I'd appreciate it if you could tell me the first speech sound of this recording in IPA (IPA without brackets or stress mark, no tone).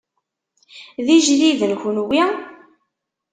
ð